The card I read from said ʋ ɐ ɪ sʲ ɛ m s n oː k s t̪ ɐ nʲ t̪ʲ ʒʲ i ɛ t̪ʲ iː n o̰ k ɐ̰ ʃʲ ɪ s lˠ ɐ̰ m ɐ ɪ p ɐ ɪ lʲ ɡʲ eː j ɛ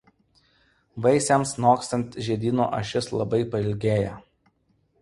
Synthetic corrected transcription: ʋ ɐ ɪ sʲ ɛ m s n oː k s t̪ ɐ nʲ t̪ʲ ʒʲ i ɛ d̪ʲ iː n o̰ ʔ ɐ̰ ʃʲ ɪ s lˠ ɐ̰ b ɐ ɪ p ɐ ɪ lʲ ɡʲ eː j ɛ